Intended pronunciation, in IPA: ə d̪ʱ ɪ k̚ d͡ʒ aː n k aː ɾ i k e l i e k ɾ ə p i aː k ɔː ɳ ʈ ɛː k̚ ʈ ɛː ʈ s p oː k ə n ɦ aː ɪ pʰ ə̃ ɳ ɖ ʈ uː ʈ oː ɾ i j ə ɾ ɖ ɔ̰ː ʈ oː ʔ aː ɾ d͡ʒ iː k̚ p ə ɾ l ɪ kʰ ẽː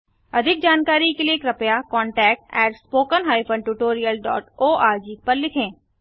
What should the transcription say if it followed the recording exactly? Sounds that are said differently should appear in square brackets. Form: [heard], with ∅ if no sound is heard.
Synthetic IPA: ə d̪ʱ ɪ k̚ d͡ʒ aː n k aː ɾ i k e l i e k ɾ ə p [j] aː k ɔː ɳ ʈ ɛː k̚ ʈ ɛː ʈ s p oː k ə n ɦ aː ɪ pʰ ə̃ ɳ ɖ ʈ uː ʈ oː ɾ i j ə [l] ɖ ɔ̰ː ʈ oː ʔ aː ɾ d͡ʒ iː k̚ p ə ɾ l ɪ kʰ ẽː

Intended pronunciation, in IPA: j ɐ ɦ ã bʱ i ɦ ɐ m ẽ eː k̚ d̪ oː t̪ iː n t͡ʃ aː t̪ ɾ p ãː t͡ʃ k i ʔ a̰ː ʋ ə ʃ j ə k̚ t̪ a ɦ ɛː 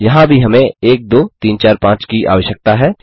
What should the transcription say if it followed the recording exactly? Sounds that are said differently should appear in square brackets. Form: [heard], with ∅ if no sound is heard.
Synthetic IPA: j ɐ ɦ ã bʱ i ɦ ɐ m ẽ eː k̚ d̪ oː t̪ iː n t͡ʃ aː [∅] ɾ p ãː t͡ʃ k i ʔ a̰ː ʋ ə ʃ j ə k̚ t̪ a ɦ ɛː

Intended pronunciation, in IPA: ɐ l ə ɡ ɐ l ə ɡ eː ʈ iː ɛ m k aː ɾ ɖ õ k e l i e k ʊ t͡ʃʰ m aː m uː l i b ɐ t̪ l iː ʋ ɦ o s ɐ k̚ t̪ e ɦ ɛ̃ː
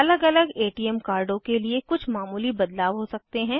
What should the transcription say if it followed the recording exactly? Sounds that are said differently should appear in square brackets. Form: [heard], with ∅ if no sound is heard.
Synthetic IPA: ɐ l ə ɡ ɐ l ə ɡ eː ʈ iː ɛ m k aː ɾ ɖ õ k e l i e k ʊ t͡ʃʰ m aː m uː l i b ɐ [d̪] l [aː] ʋ ɦ o s ɐ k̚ t̪ e ɦ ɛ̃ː

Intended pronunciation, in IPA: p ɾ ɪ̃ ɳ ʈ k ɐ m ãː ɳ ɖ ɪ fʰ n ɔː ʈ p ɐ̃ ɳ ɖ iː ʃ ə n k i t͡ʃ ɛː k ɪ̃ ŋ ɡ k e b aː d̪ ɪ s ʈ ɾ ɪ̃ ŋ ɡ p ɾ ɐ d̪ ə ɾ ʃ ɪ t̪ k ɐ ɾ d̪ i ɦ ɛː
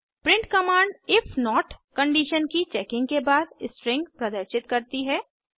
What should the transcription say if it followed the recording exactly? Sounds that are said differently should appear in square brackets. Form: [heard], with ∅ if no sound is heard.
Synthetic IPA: p ɾ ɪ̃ ɳ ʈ k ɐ m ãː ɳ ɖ ɪ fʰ n ɔː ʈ [k] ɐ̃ ɳ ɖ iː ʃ ə n k i t͡ʃ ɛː k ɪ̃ ŋ ɡ k e b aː d̪ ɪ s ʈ ɾ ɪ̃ ŋ ɡ p ɾ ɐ d̪ ə ɾ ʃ ɪ t̪ k ɐ ɾ [t̪] i ɦ ɛː

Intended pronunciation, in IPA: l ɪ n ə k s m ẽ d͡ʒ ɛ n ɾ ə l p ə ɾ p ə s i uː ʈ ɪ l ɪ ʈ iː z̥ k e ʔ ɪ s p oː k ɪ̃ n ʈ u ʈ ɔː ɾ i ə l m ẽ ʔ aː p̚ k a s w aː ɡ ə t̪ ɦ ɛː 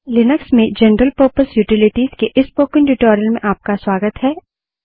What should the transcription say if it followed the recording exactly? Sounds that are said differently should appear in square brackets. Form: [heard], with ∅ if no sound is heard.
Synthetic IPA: l ɪ n ə k s m ẽ d͡ʒ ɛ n ɾ ə l p ə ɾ p ə s [j] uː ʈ ɪ l ɪ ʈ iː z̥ k e ʔ ɪ s p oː k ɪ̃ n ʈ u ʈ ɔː ɾ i ə l m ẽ ʔ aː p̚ k a s w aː ɡ ə t̪ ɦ ɛː

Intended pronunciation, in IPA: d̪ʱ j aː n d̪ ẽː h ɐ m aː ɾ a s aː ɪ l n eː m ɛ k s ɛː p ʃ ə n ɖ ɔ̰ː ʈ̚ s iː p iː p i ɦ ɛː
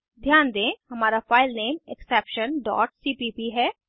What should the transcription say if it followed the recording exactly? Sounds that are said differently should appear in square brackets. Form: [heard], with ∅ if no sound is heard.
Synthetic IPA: d̪ʱ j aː n d̪ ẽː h ɐ m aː ɾ a [f] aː ɪ l n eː m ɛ k s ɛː p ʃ ə n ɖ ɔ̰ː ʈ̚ s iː p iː p i ɦ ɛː

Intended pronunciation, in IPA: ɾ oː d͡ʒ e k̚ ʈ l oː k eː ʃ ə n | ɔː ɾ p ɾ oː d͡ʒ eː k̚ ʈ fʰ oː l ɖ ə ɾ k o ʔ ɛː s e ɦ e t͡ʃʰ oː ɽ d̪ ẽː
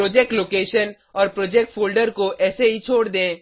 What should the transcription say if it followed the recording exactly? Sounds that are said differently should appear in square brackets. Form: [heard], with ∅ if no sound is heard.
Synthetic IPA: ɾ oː d͡ʒ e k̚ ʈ l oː k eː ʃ ə n | ɔː ɾ p ɾ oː d͡ʒ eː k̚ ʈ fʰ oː l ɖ ə ɾ k o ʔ ɛː s e ɦ [i] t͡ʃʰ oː ɽ d̪ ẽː

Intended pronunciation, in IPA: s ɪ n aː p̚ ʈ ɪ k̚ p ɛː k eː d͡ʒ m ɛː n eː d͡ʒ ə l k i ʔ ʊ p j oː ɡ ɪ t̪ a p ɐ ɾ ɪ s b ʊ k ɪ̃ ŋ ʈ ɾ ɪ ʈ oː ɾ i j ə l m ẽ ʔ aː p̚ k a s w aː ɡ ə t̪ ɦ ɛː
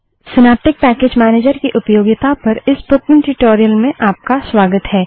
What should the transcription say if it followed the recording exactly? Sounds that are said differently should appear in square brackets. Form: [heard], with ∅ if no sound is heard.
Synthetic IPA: s ɪ n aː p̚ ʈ ɪ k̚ p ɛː k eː d͡ʒ m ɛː n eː d͡ʒ ə [ɾ] k i ʔ ʊ p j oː ɡ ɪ t̪ a p ɐ ɾ ɪ s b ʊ k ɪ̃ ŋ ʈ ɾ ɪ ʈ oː ɾ i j ə l m ẽ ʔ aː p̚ k a s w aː ɡ ə t̪ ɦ ɛː

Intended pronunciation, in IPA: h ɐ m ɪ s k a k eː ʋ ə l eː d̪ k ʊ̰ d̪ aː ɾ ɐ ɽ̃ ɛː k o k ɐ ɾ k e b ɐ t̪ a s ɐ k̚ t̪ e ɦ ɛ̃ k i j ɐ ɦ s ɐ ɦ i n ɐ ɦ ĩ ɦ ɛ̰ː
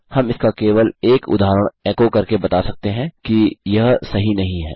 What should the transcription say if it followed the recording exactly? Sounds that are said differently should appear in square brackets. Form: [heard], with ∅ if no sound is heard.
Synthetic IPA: h ɐ m ɪ s k a k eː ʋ ə l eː [∅] k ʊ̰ d̪ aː ɾ [ə] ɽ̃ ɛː k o k ɐ ɾ k e b ɐ t̪ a s ɐ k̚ t̪ e ɦ ɛ̃ k i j ɐ ɦ s ɐ ɦ i n ɐ ɦ ĩ ɦ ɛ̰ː

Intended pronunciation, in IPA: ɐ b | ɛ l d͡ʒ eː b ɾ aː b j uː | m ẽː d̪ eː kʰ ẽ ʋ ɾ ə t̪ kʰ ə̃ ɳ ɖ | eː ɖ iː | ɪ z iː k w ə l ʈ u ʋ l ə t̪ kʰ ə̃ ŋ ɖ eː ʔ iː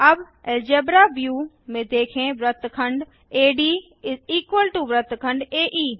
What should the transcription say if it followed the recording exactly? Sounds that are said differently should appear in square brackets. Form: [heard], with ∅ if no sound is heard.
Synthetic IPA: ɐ b | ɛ l d͡ʒ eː b ɾ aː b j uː | m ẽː d̪ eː kʰ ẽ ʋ ɾ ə t̪ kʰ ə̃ ɳ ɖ | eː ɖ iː | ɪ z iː k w ə l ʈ u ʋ [ɾ] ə t̪ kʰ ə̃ [ɳ] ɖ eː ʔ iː

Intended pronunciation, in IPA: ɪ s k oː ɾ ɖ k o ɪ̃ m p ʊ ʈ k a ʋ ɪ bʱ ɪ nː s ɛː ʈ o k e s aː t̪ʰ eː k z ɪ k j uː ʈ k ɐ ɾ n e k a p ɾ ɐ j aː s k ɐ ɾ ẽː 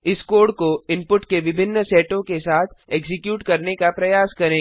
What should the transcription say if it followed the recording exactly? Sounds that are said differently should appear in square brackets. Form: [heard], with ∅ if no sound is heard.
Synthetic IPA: ɪ s k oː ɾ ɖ k o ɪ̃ m p ʊ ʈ k [e] ʋ ɪ bʱ ɪ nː s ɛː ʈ [õ] k e s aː t̪ʰ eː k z ɪ k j uː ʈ k ɐ ɾ n e k a p ɾ ɐ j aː s k ɐ ɾ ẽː

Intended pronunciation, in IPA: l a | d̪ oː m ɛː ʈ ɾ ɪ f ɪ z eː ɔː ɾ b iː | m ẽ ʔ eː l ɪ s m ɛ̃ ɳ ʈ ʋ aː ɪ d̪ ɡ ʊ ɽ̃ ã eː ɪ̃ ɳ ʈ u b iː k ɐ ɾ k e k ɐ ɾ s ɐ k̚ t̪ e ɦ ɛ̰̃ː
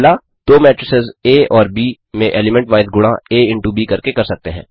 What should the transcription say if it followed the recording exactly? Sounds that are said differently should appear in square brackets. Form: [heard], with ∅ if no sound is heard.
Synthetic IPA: l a | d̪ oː m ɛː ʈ ɾ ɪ [s] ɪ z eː ɔː ɾ b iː | m ẽ ʔ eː l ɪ [∅] m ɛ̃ ɳ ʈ ʋ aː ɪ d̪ ɡ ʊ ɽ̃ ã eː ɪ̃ ɳ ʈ u b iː k ɐ ɾ k e k ɐ ɾ s ɐ k̚ t̪ e ɦ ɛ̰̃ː

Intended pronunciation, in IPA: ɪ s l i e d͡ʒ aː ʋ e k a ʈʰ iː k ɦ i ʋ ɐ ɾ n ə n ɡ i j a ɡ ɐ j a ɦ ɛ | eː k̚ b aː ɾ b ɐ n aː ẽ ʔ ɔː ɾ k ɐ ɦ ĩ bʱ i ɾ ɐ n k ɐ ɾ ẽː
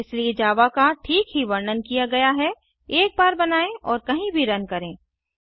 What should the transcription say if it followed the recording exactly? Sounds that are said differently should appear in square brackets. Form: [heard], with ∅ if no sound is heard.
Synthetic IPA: ɪ s l i e d͡ʒ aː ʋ [a] k a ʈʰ iː k ɦ i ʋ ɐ ɾ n ə n [k] i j a ɡ ɐ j a ɦ ɛ | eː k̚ b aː ɾ b ɐ n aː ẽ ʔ ɔː ɾ k ɐ ɦ ĩ bʱ i ɾ ɐ n k ɐ ɾ ẽː

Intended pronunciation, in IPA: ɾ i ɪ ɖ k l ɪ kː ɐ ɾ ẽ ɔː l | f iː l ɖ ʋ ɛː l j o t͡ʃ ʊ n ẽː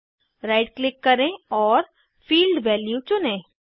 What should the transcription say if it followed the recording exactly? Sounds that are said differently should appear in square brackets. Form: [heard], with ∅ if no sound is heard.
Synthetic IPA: ɾ [a] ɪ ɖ k l ɪ kː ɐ ɾ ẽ ɔː [ɾ] | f iː l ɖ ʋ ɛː l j [u] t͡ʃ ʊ n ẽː

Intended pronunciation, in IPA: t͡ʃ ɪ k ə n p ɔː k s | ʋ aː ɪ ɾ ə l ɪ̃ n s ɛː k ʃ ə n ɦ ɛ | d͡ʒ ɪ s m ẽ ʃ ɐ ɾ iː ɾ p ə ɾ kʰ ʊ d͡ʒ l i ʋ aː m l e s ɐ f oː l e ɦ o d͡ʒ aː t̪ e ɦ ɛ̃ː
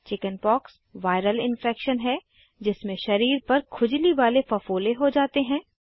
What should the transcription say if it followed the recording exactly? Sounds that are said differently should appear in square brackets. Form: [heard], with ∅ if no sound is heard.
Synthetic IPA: t͡ʃ ɪ k ə n p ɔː k s | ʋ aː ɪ ɾ ə l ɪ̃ n [f] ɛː k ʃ ə n ɦ ɛ | d͡ʒ ɪ s m ẽ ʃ ɐ ɾ iː ɾ p [ɐ] ɾ kʰ ʊ d͡ʒ l i ʋ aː [∅] l e [f] ɐ f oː l e ɦ o d͡ʒ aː t̪ e ɦ ɛ̃ː

